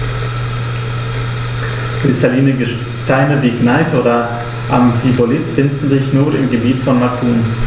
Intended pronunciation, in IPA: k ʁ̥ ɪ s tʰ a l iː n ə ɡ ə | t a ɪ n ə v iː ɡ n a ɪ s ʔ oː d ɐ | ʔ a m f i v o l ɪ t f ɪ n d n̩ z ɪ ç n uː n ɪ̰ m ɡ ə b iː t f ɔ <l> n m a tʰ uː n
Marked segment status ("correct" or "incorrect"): incorrect